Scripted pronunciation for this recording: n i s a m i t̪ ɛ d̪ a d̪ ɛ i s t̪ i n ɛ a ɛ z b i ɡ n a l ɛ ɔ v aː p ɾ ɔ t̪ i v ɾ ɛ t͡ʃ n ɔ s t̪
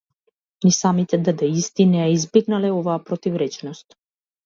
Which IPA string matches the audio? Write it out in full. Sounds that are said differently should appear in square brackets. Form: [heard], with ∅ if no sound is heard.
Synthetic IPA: n i s a m i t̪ ɛ d̪ a d̪ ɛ i s t̪ i n ɛ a [i] z b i ɡ n a l ɛ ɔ v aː p ɾ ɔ t̪ i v ɾ ɛ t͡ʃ n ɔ s t̪